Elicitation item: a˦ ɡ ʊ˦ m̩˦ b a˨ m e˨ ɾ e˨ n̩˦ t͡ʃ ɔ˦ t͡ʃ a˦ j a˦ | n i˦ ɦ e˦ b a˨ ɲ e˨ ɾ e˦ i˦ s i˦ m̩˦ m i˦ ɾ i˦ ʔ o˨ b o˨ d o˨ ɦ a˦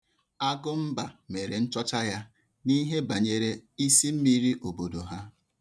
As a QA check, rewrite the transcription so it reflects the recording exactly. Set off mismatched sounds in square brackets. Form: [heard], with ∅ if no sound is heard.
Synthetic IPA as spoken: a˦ ɡ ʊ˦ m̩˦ b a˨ m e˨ ɾ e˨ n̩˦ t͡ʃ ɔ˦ t͡ʃ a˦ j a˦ | n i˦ ɦ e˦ b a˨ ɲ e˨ ɾ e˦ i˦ s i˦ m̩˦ m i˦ ɾ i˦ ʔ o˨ b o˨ d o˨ ɦ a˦